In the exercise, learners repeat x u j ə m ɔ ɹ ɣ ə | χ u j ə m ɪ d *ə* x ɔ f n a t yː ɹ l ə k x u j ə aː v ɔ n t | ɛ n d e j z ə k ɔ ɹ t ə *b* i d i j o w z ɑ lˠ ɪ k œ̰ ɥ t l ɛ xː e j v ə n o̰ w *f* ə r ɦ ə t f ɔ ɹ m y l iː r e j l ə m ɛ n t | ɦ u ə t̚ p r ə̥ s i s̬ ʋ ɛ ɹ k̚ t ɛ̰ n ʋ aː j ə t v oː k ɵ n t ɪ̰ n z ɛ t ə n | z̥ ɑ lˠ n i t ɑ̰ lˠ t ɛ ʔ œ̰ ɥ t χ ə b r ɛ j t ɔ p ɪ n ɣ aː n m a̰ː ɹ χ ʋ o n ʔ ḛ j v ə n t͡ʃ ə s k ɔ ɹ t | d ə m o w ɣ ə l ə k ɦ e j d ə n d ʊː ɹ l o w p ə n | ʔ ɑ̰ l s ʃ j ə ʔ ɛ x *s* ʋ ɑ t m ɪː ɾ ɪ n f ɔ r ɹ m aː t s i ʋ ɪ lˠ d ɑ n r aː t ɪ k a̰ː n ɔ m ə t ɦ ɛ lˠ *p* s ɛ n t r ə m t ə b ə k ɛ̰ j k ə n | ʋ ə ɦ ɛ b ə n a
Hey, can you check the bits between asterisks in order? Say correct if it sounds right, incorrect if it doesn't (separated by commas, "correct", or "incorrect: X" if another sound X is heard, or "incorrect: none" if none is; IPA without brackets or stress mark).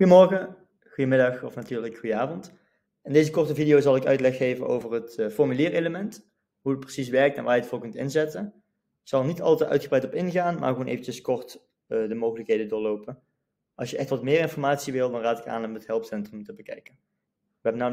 incorrect: ɑ, incorrect: v, incorrect: v, incorrect: t, correct